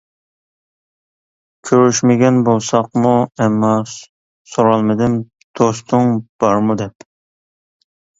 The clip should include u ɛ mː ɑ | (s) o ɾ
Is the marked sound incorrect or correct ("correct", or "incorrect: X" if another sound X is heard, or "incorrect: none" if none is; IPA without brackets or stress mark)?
correct